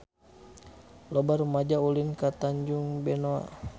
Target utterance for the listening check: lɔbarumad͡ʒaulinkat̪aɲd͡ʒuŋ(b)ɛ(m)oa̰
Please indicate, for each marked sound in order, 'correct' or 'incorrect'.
correct, incorrect: n

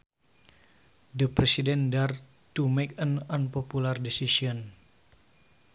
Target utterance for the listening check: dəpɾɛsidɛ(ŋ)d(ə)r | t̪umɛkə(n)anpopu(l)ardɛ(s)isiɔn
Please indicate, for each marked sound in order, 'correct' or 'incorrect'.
incorrect: n, incorrect: a, correct, correct, correct

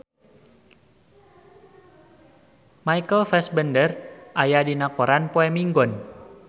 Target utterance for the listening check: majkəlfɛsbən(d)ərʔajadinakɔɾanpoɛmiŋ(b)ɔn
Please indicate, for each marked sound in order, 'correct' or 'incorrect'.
correct, incorrect: ɡ

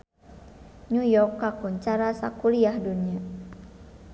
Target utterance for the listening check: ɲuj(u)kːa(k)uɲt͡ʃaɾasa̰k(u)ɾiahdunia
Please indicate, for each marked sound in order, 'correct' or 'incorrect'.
incorrect: ɔ, correct, correct

